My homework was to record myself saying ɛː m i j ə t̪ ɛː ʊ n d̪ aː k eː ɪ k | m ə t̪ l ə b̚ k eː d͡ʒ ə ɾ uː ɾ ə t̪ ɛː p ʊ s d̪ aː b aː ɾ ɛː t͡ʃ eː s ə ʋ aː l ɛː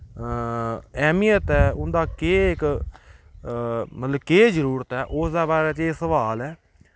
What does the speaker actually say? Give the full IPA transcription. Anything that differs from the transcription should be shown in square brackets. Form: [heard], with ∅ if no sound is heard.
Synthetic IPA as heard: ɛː m i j ə t̪ ɛː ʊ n d̪ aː k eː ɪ k | m ə t̪ l ə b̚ k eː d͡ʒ ə ɾ uː ɾ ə t̪ ɛː [ʔ] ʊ s d̪ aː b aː ɾ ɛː t͡ʃ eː s ə ʋ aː l ɛː

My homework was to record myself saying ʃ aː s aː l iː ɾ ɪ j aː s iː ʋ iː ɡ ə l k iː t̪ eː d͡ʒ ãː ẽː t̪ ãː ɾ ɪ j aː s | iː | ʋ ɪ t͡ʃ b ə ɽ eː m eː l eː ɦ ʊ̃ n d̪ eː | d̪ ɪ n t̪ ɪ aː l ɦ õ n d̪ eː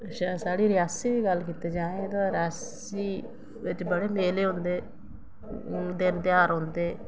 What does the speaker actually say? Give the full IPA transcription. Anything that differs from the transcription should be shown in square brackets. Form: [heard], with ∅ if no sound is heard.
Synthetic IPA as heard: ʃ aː s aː [ɽ] iː ɾ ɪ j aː s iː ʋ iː ɡ ə l k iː t̪ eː d͡ʒ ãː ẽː t̪ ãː ɾ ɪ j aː s | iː | ʋ ɪ t͡ʃ b ə ɽ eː m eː l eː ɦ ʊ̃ n d̪ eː | d̪ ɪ n t̪ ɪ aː [ɾ] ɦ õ n d̪ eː

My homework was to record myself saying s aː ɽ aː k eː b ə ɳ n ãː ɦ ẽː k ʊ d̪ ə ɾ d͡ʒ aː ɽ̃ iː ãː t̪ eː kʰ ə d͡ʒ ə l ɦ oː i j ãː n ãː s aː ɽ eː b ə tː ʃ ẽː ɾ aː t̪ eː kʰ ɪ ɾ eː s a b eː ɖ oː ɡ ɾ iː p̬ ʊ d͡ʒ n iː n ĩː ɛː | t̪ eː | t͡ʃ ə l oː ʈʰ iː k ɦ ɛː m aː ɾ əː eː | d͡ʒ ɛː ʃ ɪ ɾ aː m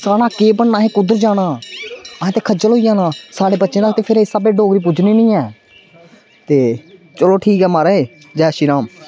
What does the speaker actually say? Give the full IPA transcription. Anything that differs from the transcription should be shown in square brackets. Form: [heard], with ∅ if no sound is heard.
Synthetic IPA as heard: s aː ɽ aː k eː b ə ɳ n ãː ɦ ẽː k ʊ d̪ ə ɾ d͡ʒ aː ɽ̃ [aː] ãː t̪ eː kʰ ə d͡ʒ ə l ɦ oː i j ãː n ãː s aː ɽ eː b ə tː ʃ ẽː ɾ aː t̪ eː [pʰ] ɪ ɾ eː s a b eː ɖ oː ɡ ɾ iː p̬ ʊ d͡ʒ n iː n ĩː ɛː | t̪ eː | t͡ʃ ə l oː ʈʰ iː k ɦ ɛː m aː ɾ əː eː | d͡ʒ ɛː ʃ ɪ ɾ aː m

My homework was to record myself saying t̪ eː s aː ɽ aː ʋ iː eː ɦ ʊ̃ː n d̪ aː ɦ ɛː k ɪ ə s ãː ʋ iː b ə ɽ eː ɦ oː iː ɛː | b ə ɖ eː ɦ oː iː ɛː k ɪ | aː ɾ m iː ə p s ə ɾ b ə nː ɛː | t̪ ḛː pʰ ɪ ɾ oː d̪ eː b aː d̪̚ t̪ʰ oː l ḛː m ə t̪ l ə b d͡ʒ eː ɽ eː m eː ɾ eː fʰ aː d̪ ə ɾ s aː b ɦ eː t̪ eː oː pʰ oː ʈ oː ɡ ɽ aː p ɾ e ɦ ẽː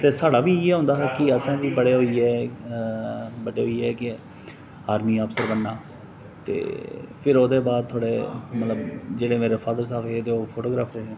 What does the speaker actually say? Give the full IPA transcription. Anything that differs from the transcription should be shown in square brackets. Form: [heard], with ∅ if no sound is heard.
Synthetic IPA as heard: t̪ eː s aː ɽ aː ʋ iː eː ɦ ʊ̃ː n d̪ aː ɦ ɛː k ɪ ə s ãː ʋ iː b ə ɽ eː ɦ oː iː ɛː | b ə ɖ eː ɦ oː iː ɛː k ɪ | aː ɾ m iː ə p s ə ɾ b ə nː [aː] | t̪ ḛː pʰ ɪ ɾ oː d̪ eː b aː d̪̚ t̪ʰ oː [ɽ] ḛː m ə t̪ l ə b d͡ʒ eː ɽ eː m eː ɾ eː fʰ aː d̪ ə ɾ s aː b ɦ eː t̪ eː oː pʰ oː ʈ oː ɡ [ɾ] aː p ɾ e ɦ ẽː

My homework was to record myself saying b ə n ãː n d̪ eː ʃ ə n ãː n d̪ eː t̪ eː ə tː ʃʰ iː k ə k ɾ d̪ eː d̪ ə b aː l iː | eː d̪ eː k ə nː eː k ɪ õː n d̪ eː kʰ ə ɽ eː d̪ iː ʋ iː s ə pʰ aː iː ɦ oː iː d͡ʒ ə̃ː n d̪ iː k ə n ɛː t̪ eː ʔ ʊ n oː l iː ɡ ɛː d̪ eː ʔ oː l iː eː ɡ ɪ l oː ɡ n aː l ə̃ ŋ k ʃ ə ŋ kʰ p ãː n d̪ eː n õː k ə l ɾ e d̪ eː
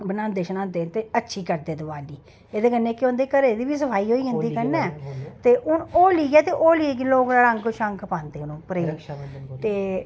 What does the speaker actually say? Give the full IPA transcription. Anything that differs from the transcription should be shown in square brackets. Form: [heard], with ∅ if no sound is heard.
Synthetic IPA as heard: b ə n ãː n d̪ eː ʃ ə n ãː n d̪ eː t̪ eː ə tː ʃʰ iː k ə [∅] ɾ d̪ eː d̪ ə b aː l iː | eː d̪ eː k ə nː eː k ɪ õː n d̪ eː [k] ə [ɾ] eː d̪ iː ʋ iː s ə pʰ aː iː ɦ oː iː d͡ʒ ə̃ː n d̪ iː k ə n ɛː t̪ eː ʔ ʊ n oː l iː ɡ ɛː [t̪] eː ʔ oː l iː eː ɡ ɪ l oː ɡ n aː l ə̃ ŋ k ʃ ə ŋ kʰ p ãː n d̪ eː n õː [p] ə [∅] ɾ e [t̪] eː

